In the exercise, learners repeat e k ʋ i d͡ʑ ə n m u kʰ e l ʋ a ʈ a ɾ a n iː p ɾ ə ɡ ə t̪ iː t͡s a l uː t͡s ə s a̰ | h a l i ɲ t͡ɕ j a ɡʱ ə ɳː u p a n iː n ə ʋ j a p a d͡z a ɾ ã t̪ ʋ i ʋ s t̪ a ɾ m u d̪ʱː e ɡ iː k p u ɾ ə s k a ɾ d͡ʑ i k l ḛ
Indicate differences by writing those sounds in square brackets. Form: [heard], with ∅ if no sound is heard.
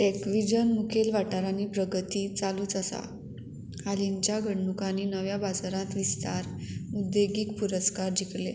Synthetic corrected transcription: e k ʋ i d͡ʑ ə n m u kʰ e l ʋ a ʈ a ɾ a n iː p ɾ ə ɡ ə t̪ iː t͡s a l uː t͡s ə s a̰ | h a l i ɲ t͡ɕ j a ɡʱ ə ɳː u [k] a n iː n ə ʋ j a [b] a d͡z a ɾ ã t̪ ʋ i [∅] s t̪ a ɾ m u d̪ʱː e ɡ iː k p u ɾ ə s k a ɾ d͡ʑ i k l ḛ